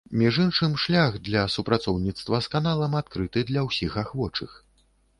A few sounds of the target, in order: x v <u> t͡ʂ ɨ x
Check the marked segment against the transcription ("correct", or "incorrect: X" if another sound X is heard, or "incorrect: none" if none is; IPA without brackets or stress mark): incorrect: ɔ